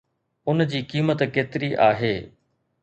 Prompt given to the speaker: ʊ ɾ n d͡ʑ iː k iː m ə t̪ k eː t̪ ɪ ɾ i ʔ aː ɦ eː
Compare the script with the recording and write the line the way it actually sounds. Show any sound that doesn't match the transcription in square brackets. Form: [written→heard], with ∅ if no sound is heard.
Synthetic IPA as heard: ʊ [ɾ→∅] n d͡ʑ iː k iː m ə t̪ k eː t̪ ɪ ɾ i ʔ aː ɦ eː